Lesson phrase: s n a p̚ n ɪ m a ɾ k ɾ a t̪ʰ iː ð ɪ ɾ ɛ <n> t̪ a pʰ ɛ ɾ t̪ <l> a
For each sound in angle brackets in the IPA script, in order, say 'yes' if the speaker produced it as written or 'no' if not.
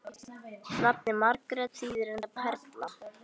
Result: yes, yes

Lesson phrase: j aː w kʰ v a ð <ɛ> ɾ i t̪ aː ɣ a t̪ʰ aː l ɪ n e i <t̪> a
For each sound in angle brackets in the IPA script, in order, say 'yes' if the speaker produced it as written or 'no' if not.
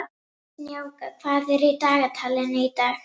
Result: yes, yes

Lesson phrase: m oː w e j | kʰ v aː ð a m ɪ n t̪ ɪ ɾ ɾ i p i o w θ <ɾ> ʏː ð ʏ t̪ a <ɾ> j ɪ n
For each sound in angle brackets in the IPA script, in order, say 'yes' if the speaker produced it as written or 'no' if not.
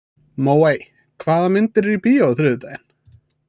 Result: yes, no

